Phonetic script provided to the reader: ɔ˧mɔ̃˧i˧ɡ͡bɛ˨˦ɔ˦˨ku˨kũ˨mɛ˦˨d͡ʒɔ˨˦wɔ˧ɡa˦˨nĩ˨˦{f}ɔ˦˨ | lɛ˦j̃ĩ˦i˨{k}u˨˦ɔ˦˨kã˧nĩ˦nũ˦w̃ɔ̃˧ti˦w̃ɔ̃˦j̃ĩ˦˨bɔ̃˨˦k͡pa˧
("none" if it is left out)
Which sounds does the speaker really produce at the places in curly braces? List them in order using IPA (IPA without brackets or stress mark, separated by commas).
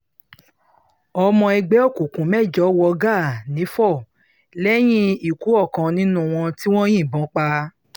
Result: f, k